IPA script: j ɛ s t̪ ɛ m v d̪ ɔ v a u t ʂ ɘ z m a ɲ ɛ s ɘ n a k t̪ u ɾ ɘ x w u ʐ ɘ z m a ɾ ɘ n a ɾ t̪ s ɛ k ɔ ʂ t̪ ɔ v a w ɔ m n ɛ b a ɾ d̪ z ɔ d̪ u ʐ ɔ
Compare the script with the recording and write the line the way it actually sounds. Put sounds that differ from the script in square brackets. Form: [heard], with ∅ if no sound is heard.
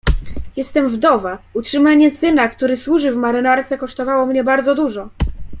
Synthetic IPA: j ɛ s t̪ ɛ m v d̪ ɔ v a u t ʂ ɘ [∅] m a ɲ ɛ s ɘ n a k t̪ u ɾ ɘ [s] w u ʐ ɘ [v] m a ɾ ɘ n a ɾ t̪ s ɛ k ɔ ʂ t̪ ɔ v a w ɔ m [ɲ] ɛ b a ɾ d̪ z ɔ d̪ u ʐ ɔ